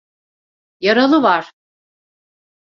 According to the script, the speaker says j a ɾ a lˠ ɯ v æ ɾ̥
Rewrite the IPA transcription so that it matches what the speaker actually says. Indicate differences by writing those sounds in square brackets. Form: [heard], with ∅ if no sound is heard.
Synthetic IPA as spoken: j a ɾ a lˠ ɯ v [a] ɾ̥